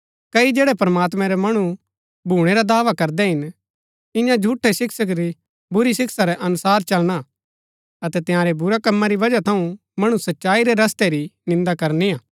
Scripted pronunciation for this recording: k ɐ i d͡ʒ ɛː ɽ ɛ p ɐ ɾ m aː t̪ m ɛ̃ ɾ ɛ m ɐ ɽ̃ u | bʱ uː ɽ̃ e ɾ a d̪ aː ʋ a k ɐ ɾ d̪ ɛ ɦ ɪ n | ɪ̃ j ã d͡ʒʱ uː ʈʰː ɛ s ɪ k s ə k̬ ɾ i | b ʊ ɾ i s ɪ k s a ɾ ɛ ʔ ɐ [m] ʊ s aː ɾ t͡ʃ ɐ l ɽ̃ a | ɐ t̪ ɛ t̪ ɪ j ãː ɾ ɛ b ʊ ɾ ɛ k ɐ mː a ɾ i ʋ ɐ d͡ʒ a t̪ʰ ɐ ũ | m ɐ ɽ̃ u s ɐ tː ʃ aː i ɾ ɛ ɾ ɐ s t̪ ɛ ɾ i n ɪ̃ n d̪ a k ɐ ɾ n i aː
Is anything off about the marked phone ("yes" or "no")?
yes